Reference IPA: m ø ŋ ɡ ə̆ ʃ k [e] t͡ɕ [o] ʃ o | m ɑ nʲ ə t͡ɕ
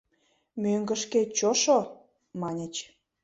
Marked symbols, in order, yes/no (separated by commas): yes, yes